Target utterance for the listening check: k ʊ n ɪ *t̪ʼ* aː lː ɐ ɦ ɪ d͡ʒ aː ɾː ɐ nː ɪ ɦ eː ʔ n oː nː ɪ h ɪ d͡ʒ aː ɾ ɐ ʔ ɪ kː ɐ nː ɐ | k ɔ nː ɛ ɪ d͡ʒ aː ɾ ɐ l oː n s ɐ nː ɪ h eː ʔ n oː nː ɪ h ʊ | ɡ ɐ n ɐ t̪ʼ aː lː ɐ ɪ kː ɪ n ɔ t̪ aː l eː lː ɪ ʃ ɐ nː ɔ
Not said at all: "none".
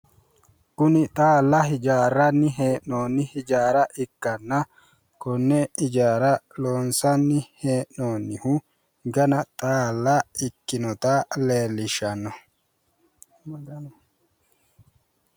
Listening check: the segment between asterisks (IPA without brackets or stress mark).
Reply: t̪ʼ